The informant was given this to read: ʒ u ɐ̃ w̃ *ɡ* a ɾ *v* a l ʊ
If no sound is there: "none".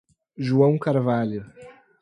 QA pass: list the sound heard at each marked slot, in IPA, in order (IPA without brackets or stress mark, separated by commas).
k, v